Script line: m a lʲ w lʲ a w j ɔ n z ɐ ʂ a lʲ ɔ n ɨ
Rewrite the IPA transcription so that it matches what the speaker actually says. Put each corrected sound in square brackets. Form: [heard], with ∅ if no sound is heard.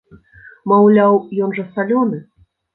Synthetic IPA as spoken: m a [∅] w lʲ a w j ɔ n [ʐ] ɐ [s] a lʲ ɔ n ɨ